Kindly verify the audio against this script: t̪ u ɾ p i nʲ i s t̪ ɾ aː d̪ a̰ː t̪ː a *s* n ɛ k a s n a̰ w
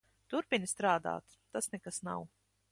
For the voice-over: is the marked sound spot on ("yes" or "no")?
yes